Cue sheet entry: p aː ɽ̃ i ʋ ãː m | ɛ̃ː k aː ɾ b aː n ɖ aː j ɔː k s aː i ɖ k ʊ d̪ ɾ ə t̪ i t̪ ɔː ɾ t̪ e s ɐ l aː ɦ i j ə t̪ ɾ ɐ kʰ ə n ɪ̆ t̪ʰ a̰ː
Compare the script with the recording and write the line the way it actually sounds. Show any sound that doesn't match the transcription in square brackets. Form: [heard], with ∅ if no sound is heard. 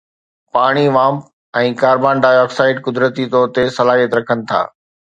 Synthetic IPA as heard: p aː ɽ̃ i ʋ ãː m | ɛ̃ː k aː ɾ b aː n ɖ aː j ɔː k s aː [ɪ] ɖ k ʊ d̪ ɾ ə t̪ i t̪ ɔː ɾ t̪ e s ɐ l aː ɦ i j ə t̪ ɾ ɐ kʰ ə n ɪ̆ t̪ʰ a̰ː